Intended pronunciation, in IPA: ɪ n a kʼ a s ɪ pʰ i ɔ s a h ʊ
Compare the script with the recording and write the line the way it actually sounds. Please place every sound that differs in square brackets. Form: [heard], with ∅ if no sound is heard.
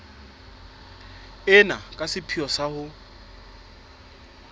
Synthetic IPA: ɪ n a kʼ a s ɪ pʰ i ɔ s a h ʊ